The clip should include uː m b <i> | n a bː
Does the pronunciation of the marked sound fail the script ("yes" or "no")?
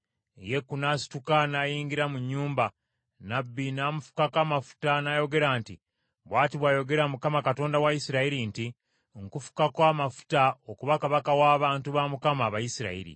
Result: yes